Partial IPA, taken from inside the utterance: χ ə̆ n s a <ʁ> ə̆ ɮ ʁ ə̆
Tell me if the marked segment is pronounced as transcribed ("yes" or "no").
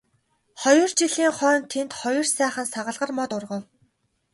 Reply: yes